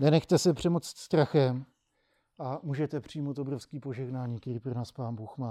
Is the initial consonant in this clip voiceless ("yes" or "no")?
no